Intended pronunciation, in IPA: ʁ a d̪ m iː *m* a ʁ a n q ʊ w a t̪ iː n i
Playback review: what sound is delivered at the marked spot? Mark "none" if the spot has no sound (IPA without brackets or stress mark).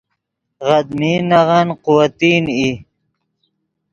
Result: n